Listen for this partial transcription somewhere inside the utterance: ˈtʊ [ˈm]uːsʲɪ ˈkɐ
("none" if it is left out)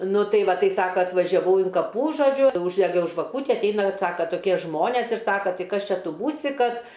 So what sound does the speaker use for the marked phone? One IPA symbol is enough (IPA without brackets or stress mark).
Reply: b